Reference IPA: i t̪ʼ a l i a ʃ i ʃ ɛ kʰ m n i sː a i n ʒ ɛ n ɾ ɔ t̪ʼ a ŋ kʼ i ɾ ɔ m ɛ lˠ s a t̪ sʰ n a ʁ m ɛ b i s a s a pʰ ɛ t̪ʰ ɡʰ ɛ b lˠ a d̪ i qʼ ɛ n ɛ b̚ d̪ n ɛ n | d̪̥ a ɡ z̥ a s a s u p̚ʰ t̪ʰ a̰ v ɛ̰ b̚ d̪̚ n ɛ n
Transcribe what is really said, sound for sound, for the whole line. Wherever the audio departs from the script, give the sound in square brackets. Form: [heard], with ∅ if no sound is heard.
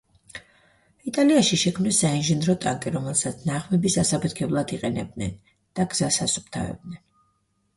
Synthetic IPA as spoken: i t̪ʼ a l i a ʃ i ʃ ɛ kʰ m n i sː a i n ʒ ɛ n ɾ ɔ t̪ʼ a ŋ kʼ i ɾ ɔ m ɛ lˠ s a t̪ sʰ n a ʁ m ɛ b i s a s a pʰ ɛ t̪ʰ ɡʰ ɛ b lˠ a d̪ i qʼ ɛ n ɛ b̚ d̪ n ɛ n | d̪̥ a ɡ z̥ a s a s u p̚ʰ t̪ʰ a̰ v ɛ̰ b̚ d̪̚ n ɛ n

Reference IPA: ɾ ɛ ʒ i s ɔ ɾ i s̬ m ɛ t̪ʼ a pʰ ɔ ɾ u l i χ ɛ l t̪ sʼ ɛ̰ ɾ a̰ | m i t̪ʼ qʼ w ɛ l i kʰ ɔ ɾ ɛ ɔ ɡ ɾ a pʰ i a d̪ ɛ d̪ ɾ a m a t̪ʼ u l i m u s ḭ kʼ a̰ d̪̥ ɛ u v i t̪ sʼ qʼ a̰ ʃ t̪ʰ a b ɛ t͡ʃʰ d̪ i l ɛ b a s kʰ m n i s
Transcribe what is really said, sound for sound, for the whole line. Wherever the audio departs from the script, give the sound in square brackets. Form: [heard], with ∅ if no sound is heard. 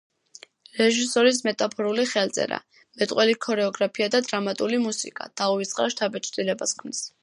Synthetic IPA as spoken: ɾ ɛ ʒ i s ɔ ɾ i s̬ m ɛ t̪ʼ a pʰ ɔ ɾ u l i χ ɛ l t̪ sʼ ɛ̰ ɾ a̰ | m [ɛ] t̪ʼ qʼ w ɛ l i kʰ ɔ ɾ ɛ ɔ ɡ ɾ a pʰ i a d̪ [a] d̪ ɾ a m a t̪ʼ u l i m u s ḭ kʼ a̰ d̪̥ [a] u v i t̪ sʼ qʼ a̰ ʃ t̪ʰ a b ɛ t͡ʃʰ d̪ i l ɛ b a s kʰ m n i s

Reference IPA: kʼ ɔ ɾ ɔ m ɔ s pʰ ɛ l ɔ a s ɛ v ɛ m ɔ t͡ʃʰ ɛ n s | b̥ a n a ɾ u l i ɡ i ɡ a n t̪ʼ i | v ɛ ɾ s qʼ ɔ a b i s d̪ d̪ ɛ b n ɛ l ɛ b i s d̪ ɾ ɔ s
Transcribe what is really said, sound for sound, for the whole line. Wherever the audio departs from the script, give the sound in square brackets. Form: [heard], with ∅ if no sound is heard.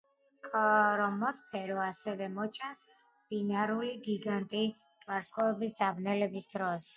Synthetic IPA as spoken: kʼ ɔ ɾ ɔ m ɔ s pʰ ɛ [ɾ] ɔ a s ɛ v ɛ m ɔ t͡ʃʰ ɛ n s | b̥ [i] n a ɾ u l i ɡ i ɡ a n t̪ʼ i | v [a] ɾ s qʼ ɔ [ɛ] b i s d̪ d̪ [a] b n ɛ l ɛ b i s d̪ ɾ ɔ s

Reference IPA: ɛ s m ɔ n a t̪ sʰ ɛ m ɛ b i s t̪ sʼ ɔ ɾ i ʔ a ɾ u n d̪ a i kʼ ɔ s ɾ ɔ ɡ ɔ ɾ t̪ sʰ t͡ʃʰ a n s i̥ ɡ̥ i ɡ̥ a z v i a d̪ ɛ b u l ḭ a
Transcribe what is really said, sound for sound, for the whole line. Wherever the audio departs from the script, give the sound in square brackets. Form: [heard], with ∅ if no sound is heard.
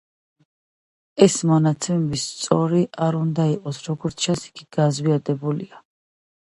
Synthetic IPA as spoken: ɛ s m ɔ n a t̪ sʰ ɛ m ɛ b i s t̪ sʼ ɔ ɾ i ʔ a ɾ u n d̪ a i [qʼ] ɔ s ɾ ɔ ɡ ɔ ɾ t̪ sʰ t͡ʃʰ a n s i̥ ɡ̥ i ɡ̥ a z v i a d̪ ɛ b u l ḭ a

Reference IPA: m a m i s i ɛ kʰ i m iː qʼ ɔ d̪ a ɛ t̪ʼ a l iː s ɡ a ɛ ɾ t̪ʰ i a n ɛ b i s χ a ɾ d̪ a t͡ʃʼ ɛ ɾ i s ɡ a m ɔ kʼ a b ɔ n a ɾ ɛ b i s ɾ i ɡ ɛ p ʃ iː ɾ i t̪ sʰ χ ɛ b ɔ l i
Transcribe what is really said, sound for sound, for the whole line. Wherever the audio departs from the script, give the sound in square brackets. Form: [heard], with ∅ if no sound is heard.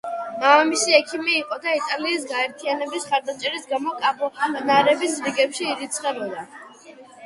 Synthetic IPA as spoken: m a m i s i ɛ kʰ i m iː qʼ ɔ d̪ a [i] t̪ʼ a l iː s ɡ a ɛ ɾ t̪ʰ i a n ɛ b i s χ a ɾ d̪ a t͡ʃʼ ɛ ɾ i s ɡ a m ɔ kʼ a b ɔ n a ɾ ɛ b i s ɾ i ɡ ɛ p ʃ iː ɾ i t̪ sʰ χ ɛ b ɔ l [a]

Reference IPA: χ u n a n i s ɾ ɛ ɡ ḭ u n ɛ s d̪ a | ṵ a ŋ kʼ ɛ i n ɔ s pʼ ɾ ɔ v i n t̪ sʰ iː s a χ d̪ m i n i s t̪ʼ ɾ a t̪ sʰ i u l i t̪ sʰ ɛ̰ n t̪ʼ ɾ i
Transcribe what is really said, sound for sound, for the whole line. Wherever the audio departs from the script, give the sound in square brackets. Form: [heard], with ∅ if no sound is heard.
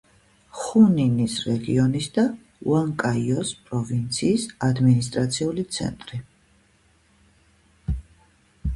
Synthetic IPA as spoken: χ u n [i] n i s ɾ ɛ ɡ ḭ [ɔ] n [i] s d̪ a | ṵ a ŋ kʼ [a] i [∅] ɔ s pʼ ɾ ɔ v i n t̪ sʰ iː s a [∅] d̪ m i n i s t̪ʼ ɾ a t̪ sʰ i u l i t̪ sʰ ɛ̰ n t̪ʼ ɾ i

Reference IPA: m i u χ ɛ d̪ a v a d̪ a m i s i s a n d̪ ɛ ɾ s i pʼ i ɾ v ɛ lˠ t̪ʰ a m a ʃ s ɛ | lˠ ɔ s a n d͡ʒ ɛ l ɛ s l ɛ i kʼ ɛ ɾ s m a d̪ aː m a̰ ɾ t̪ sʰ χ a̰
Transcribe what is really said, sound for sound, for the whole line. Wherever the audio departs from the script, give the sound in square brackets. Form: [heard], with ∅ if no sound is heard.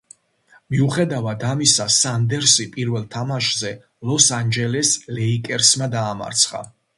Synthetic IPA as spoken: m i u χ ɛ d̪ a v a d̪ a m i s [a] s a n d̪ ɛ ɾ s i pʼ i ɾ v ɛ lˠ t̪ʰ a m a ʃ [z] ɛ | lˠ ɔ s a n d͡ʒ ɛ l ɛ s l ɛ i kʼ ɛ ɾ s m a d̪ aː m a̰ ɾ t̪ sʰ χ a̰

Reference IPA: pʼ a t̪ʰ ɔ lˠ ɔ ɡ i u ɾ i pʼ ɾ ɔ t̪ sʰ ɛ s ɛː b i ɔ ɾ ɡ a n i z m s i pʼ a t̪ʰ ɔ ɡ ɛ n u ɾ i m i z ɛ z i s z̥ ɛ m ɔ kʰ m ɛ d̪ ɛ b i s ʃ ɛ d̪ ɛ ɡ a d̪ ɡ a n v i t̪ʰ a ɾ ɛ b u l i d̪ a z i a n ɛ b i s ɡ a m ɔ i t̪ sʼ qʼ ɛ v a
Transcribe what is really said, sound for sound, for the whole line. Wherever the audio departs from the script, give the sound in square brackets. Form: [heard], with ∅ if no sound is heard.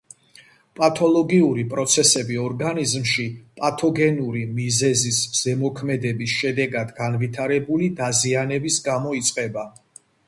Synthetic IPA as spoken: pʼ a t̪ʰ ɔ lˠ ɔ ɡ i u ɾ i pʼ ɾ ɔ t̪ sʰ ɛ s [ɛ] b i ɔ ɾ ɡ a n i z m [ʃ] i pʼ a t̪ʰ ɔ ɡ ɛ n u ɾ i m i z ɛ z i s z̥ ɛ m ɔ kʰ m ɛ d̪ ɛ b i s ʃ ɛ d̪ ɛ ɡ a d̪ ɡ a n v i t̪ʰ a ɾ ɛ b u l i d̪ a z i a n ɛ b i s ɡ a m ɔ i t̪ sʼ qʼ ɛ [b] a

